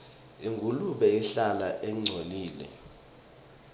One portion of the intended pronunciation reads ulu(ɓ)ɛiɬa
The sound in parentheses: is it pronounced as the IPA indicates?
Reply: yes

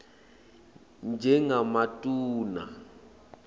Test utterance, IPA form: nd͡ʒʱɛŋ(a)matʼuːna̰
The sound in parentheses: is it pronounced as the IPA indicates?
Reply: yes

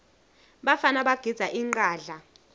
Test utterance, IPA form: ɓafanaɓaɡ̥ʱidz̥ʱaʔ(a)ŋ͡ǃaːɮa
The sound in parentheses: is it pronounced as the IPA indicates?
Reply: no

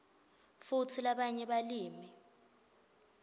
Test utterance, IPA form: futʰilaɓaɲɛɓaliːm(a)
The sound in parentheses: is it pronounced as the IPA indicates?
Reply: no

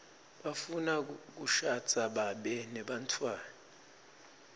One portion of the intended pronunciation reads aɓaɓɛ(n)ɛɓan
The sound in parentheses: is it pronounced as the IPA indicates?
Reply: yes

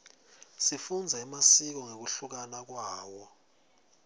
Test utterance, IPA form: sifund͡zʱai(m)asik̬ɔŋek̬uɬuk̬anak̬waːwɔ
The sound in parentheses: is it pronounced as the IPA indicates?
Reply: yes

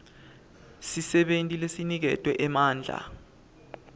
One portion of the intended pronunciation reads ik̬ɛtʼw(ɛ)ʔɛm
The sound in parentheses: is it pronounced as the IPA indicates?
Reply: yes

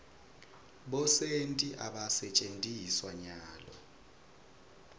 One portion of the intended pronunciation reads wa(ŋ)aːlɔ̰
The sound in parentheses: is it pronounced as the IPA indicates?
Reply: no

